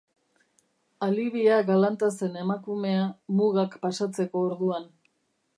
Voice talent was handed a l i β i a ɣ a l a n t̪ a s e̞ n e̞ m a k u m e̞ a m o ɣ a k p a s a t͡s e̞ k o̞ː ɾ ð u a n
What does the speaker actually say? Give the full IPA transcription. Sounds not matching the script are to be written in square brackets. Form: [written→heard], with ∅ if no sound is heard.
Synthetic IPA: a l i β i a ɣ a l a n t̪ a s e̞ n e̞ m a k u m e̞ a m [o→u] ɣ a k p a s a t͡s e̞ k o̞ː ɾ ð u a n